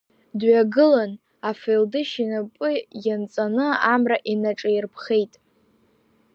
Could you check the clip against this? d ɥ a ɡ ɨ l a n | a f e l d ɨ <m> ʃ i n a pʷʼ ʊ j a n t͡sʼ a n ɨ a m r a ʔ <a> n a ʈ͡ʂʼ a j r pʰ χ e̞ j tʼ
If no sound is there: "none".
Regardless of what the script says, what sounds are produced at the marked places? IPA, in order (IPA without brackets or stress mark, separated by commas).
none, i